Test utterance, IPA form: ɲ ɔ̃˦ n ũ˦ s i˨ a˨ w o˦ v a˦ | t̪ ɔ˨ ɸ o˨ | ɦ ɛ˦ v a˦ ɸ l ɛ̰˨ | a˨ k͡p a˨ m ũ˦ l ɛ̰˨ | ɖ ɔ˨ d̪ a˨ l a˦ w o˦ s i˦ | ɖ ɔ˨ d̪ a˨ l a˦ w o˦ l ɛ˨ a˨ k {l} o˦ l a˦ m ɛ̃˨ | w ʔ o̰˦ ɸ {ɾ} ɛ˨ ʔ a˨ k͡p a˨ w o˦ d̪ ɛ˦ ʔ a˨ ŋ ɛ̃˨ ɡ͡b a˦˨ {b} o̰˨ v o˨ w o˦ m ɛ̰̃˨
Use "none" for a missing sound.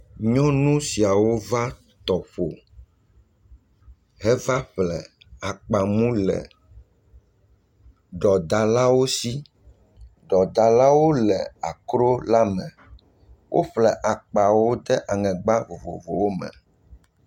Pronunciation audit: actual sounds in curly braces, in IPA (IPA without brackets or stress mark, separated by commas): ɾ, l, v